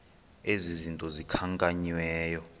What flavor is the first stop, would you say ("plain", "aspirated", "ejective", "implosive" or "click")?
ejective